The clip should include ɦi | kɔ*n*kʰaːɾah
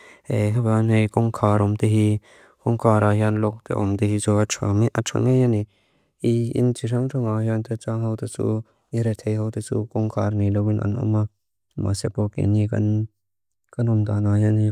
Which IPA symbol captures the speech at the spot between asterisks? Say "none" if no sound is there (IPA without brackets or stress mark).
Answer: ŋ